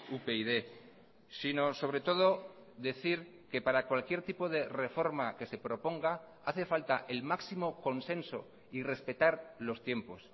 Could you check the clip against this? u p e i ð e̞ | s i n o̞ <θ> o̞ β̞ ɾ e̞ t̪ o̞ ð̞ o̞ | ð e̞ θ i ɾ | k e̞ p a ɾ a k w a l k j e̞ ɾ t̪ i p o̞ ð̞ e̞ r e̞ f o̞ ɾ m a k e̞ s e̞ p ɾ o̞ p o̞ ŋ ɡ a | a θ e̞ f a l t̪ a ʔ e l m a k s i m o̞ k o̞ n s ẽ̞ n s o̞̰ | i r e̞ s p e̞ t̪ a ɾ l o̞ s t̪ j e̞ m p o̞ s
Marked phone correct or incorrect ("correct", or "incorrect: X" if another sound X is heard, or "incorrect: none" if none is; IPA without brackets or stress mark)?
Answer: incorrect: s